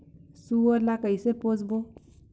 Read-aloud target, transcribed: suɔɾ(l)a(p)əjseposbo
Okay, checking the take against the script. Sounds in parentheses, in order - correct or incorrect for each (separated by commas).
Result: correct, incorrect